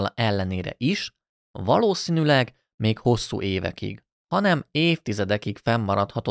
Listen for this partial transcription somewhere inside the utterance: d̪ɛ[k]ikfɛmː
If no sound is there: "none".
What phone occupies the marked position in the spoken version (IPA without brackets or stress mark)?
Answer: k